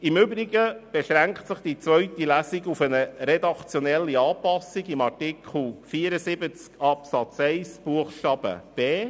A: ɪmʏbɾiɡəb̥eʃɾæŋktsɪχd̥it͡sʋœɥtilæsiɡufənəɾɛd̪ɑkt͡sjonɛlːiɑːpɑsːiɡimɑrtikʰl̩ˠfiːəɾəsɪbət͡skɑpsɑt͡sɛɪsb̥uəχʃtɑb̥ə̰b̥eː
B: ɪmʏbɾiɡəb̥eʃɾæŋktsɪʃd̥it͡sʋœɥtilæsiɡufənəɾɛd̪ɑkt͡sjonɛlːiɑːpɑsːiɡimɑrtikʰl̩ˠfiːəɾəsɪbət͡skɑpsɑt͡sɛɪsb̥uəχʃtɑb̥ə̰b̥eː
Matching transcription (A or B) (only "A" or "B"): A